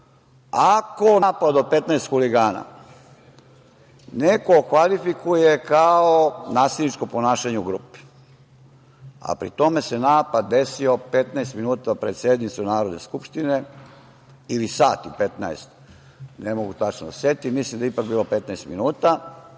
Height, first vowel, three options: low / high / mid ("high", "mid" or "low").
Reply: low